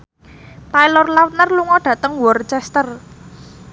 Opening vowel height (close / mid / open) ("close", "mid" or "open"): open